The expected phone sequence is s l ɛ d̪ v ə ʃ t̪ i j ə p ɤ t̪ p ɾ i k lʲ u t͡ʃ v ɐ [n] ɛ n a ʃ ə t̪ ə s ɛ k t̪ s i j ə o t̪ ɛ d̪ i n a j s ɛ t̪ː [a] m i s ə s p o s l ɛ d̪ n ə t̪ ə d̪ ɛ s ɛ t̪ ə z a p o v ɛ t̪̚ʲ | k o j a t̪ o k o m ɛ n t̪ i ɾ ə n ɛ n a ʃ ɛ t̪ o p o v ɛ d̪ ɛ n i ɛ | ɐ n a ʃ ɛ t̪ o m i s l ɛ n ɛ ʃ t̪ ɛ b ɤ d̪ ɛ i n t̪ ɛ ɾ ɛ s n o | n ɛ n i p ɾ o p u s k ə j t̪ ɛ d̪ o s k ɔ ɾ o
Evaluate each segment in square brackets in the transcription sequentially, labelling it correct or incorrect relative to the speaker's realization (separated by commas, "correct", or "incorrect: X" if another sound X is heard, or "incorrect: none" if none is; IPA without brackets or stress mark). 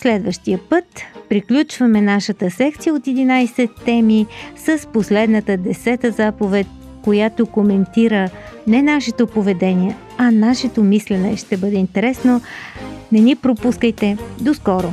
incorrect: m, incorrect: ɛ